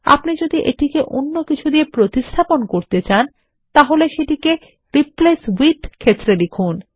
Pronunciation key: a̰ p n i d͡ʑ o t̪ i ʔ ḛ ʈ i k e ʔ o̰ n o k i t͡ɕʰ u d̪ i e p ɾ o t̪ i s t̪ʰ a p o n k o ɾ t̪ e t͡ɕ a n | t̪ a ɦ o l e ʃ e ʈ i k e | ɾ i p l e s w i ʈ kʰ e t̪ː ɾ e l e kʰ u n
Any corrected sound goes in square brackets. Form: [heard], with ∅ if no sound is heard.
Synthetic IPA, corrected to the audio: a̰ p n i d͡ʑ o [d̪] i ʔ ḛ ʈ i k e ʔ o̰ [nː] o k i t͡ɕʰ u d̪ i e p ɾ o t̪ i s t̪ʰ a p o n k o ɾ t̪ e t͡ɕ a n | t̪ a ɦ o l e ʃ e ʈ i k e | ɾ i p l e s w i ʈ kʰ e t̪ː ɾ e l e kʰ u n